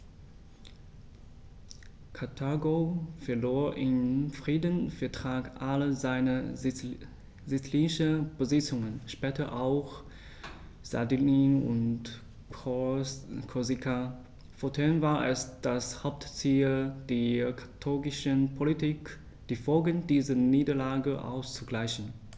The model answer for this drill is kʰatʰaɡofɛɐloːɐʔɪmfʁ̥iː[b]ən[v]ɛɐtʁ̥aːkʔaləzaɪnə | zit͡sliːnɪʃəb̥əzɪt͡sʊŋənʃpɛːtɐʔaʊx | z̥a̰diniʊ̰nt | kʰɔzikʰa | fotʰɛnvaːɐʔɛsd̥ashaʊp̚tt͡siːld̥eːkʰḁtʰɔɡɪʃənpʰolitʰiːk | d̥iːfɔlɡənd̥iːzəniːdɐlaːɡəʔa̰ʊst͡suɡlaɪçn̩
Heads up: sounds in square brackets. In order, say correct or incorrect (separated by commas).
incorrect, incorrect